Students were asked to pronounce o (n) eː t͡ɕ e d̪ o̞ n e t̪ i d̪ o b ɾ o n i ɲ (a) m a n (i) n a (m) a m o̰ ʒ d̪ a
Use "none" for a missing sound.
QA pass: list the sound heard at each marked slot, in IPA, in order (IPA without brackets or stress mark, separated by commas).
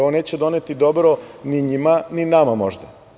n, i, i, m